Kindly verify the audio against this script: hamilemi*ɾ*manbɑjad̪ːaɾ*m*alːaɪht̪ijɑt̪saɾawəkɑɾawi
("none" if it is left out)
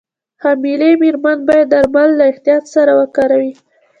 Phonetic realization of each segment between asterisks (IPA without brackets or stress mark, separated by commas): ɾ, m